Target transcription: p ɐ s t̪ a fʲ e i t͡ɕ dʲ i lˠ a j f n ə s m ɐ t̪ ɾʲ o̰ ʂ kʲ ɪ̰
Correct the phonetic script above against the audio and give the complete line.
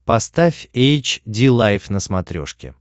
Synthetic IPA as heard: p ɐ s t̪ a fʲ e j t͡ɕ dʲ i lˠ a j f n ə s m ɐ t̪ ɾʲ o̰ ʂ kʲ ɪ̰